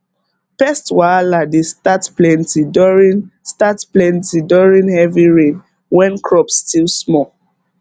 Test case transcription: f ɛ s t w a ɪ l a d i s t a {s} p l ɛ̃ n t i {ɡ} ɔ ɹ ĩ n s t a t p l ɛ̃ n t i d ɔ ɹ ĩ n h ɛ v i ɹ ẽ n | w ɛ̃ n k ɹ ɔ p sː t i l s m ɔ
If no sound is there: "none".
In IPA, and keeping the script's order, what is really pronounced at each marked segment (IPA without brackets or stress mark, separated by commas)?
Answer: t, d